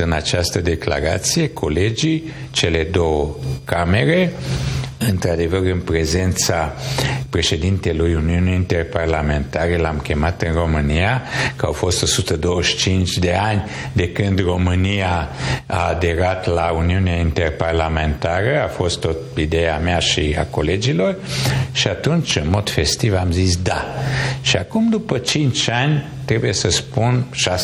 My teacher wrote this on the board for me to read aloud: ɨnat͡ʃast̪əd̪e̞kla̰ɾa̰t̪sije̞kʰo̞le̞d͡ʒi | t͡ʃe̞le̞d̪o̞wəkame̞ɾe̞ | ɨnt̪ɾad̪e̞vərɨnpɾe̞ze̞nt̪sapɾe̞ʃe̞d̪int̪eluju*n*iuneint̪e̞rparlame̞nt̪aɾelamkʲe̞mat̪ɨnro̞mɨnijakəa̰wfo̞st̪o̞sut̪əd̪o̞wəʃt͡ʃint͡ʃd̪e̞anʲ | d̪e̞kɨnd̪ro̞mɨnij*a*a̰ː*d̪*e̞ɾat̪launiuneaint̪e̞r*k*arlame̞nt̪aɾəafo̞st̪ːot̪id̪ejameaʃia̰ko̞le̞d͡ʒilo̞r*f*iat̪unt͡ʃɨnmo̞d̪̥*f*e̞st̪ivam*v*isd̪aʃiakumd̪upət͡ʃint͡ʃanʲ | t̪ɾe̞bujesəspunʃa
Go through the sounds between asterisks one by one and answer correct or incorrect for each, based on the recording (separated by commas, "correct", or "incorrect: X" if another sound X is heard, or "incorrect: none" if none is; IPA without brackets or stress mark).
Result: correct, correct, correct, incorrect: p, incorrect: ʃ, correct, incorrect: z